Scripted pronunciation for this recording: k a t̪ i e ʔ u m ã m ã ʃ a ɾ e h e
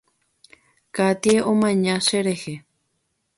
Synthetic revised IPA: k a t̪ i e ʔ o m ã ɲ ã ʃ e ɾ e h e